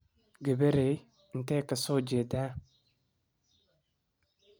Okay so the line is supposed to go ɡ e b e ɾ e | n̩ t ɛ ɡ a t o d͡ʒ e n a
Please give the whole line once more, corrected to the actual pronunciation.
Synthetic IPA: ɡ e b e ɾ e | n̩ t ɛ k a s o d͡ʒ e d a